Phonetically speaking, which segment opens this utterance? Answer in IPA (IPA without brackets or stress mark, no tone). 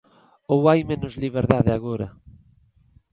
o